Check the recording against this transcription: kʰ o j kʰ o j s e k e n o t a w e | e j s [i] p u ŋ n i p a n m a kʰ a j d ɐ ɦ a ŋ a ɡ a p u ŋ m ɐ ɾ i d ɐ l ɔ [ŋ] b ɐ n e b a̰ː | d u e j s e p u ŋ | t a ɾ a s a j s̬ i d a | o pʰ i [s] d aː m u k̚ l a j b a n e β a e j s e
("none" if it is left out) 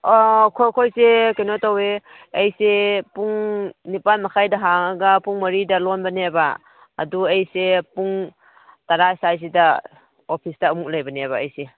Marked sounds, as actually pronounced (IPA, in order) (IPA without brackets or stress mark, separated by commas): e, n, s